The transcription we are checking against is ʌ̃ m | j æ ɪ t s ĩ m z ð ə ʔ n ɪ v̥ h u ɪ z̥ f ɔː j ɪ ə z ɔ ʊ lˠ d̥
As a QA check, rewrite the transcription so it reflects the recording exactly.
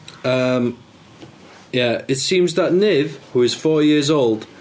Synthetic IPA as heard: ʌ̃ m | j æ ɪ t s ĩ m z ð ə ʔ n ɪ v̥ h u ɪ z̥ f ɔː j ɪ ə z o ʊ lˠ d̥